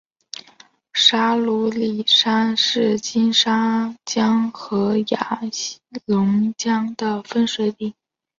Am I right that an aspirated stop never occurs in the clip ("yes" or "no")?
yes